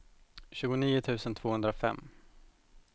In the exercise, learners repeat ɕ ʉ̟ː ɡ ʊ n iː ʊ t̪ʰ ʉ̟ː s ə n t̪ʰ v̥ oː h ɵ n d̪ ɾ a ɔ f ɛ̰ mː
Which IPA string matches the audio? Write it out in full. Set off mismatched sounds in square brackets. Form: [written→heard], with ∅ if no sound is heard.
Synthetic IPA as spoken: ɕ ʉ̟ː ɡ ʊ n iː ʊ t̪ʰ ʉ̟ː s ə n t̪ʰ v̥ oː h ɵ n d̪ ɾ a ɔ f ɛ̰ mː